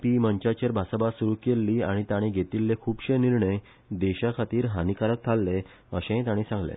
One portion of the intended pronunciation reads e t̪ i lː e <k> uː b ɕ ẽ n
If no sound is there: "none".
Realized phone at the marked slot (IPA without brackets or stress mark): kʰ